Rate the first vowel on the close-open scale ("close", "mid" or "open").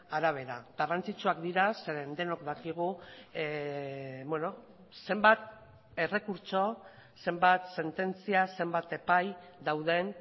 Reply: open